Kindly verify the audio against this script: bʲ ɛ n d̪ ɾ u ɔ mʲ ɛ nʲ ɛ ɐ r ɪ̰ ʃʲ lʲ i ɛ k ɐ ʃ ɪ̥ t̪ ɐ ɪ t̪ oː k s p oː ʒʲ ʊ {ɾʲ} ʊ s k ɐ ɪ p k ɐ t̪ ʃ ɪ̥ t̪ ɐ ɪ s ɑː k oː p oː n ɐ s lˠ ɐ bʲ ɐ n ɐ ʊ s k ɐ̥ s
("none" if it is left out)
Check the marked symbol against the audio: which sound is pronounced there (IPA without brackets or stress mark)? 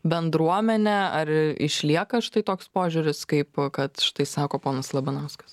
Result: ɾʲ